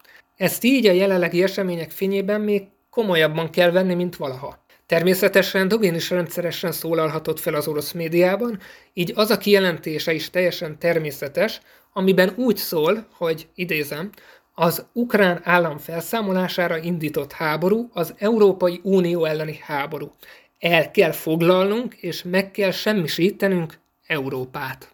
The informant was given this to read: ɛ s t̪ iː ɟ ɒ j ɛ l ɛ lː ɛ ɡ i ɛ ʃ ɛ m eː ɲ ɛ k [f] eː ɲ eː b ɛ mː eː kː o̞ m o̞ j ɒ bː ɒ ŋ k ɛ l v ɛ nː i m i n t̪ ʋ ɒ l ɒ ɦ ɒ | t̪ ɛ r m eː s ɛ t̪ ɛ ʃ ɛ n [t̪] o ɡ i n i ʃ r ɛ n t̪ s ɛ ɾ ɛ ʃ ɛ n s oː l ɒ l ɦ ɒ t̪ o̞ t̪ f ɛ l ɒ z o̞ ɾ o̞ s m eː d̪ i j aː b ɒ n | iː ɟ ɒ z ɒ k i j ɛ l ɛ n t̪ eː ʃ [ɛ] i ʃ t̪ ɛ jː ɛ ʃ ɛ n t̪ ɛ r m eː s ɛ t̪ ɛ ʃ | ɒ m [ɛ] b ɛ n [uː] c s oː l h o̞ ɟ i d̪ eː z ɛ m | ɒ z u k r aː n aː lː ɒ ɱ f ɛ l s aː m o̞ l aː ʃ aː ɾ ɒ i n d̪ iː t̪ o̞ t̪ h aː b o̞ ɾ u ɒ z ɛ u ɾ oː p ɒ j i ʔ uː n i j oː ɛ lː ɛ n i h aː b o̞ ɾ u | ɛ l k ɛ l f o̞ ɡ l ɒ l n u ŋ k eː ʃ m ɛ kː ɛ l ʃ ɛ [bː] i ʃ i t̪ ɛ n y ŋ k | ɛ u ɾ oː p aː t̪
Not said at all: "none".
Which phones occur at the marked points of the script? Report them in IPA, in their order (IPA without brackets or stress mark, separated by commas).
f, d̪, ɛ, i, uː, mː